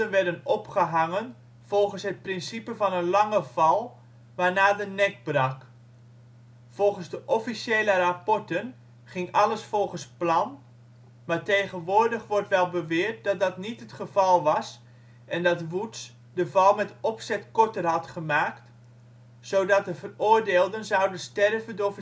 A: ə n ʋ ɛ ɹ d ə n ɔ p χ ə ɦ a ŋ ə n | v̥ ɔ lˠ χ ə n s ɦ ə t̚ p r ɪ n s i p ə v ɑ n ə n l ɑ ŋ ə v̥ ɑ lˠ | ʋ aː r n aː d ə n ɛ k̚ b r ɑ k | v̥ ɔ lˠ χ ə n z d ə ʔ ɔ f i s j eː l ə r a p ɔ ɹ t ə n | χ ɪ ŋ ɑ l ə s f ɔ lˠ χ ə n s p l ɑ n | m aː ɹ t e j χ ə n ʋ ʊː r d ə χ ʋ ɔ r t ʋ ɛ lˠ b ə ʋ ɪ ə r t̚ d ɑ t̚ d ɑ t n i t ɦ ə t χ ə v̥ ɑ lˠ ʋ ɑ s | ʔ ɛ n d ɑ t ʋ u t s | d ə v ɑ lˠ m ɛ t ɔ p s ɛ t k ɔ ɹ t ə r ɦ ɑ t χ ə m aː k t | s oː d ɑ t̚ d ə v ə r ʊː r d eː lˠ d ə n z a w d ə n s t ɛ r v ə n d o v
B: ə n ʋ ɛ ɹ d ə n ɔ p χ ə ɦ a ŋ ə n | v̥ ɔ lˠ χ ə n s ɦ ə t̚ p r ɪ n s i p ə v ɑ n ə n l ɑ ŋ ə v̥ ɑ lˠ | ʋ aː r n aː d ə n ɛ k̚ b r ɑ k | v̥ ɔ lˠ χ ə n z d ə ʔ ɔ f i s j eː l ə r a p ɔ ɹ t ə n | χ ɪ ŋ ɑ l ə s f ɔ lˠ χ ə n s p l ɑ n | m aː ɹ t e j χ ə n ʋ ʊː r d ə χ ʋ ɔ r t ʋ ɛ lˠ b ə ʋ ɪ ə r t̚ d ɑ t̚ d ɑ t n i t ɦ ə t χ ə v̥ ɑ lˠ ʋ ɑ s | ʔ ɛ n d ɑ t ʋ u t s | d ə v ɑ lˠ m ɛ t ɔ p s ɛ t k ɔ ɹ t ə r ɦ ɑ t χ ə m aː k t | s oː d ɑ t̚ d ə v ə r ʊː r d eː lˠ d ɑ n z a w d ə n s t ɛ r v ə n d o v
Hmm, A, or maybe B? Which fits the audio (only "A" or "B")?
A